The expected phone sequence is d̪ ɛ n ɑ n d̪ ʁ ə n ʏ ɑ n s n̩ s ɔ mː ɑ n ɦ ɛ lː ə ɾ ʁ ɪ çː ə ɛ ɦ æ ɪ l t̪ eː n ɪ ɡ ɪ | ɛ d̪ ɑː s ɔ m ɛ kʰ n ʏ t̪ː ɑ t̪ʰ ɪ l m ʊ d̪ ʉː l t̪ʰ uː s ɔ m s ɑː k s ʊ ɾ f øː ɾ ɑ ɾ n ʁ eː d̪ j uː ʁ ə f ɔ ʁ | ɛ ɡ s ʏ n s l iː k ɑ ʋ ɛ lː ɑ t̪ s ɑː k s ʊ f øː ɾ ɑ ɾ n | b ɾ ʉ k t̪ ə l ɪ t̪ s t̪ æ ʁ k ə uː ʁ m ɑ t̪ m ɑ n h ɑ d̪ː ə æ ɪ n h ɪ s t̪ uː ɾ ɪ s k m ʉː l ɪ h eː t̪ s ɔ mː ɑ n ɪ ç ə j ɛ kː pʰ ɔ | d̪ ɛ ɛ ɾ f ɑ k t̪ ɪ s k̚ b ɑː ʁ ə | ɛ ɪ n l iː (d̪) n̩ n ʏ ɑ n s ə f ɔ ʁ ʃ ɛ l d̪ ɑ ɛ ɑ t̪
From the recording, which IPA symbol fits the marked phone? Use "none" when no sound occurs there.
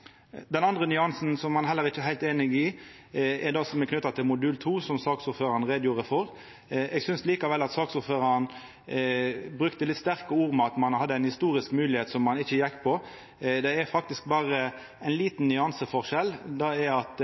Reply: t̪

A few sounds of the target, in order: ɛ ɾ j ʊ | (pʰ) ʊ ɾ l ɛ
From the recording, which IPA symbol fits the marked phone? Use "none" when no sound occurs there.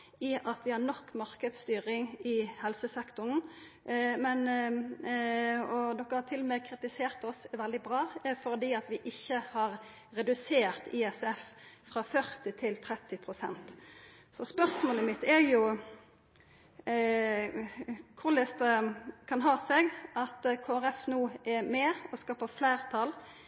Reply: kʰ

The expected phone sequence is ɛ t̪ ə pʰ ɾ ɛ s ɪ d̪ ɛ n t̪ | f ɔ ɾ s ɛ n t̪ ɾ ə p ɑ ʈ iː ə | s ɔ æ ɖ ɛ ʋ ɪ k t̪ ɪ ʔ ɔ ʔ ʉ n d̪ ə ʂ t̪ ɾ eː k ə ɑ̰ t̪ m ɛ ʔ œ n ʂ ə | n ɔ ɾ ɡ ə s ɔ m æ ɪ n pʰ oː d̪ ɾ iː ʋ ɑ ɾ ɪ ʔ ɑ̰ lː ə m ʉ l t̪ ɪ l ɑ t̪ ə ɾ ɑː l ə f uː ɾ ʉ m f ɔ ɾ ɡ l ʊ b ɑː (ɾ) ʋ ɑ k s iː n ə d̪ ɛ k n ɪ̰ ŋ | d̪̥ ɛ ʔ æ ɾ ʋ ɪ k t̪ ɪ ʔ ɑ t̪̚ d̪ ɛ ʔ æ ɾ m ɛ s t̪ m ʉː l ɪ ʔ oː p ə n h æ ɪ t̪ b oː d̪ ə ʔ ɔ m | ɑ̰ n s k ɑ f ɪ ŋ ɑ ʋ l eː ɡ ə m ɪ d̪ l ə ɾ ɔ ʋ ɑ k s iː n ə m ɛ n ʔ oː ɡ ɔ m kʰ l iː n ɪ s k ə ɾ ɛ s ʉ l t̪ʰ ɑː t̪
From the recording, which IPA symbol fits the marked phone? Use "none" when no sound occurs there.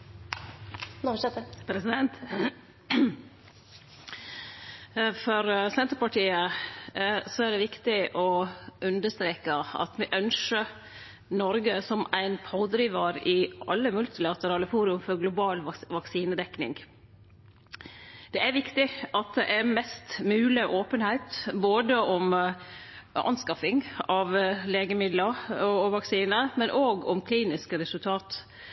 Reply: l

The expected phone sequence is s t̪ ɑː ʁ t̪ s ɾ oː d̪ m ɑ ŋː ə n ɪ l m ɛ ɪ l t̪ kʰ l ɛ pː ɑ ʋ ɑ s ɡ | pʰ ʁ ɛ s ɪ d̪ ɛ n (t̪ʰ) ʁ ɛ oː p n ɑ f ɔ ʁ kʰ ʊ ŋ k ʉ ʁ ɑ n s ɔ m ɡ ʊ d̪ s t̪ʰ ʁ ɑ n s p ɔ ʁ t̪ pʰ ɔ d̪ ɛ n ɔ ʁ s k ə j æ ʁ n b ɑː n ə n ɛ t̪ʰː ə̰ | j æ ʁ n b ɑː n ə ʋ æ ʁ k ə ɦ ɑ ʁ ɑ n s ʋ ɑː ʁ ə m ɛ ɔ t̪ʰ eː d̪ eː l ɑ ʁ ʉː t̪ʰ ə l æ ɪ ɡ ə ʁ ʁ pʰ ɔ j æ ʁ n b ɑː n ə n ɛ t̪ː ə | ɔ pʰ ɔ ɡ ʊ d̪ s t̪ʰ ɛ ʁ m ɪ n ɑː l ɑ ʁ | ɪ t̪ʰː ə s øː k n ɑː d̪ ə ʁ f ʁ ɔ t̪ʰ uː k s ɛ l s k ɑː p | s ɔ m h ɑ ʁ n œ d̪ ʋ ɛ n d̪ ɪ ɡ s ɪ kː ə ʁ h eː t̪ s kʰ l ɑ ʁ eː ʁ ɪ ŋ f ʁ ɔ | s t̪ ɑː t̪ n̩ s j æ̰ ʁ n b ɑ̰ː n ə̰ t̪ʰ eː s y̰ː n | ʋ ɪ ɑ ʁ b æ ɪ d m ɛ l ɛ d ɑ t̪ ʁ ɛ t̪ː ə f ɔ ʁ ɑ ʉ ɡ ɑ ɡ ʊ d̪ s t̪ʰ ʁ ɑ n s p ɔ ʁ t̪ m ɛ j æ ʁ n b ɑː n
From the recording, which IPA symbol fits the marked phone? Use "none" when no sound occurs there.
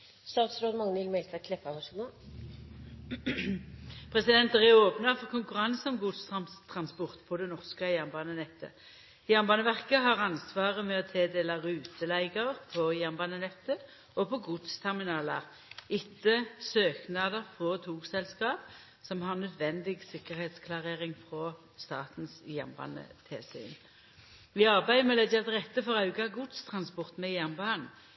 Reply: t̪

